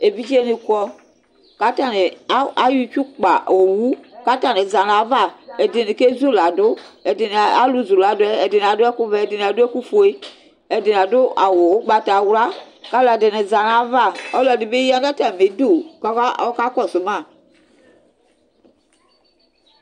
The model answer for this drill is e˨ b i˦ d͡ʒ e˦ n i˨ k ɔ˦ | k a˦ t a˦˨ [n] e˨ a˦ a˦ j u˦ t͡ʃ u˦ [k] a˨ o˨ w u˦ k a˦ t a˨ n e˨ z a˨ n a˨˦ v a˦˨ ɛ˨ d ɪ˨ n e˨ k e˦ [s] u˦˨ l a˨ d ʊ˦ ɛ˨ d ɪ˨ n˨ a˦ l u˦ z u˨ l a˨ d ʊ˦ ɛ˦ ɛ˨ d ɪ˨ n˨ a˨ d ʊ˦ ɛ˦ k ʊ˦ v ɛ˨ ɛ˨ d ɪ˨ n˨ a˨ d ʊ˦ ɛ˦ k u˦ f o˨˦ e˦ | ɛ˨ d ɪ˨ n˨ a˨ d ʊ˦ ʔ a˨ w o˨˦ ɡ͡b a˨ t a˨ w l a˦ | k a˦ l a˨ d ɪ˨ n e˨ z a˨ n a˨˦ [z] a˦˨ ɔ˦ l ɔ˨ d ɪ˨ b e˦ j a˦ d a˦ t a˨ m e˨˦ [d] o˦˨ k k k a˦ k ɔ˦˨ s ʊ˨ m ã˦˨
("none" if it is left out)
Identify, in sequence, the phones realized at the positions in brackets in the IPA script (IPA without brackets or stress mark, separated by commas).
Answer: n, k͡p, z, v, d